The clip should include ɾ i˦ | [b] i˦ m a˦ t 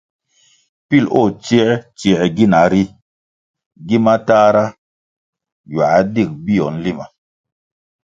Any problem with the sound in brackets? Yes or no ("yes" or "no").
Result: yes